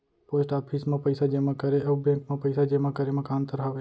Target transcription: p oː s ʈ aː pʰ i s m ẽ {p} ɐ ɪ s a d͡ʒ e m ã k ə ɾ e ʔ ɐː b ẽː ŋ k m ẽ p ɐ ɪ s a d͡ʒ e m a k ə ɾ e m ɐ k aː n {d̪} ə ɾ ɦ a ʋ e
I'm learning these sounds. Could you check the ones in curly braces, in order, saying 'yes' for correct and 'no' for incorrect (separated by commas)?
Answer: yes, no